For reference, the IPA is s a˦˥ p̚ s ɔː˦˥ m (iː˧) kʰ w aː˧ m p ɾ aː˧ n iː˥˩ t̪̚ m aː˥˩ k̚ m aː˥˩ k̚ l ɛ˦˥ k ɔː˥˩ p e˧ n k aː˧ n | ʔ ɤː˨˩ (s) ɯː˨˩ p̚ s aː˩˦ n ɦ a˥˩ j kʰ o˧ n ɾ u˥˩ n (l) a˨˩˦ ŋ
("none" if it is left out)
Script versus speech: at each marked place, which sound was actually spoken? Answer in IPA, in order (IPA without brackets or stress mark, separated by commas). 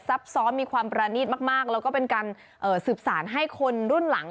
iː˧, s, l